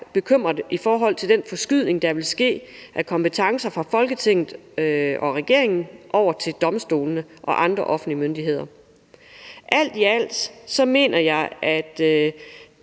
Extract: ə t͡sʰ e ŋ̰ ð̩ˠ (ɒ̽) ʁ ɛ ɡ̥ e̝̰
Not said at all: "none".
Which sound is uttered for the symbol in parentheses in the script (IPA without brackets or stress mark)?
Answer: ɒ̽